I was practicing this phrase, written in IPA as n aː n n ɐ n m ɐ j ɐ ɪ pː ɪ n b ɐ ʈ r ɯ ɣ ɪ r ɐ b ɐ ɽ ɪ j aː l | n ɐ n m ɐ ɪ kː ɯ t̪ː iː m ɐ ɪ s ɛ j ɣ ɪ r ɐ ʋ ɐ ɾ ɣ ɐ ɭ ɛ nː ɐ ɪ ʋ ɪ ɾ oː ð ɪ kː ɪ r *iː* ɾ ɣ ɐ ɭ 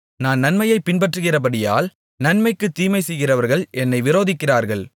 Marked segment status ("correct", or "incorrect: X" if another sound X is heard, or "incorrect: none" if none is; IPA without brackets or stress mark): incorrect: aː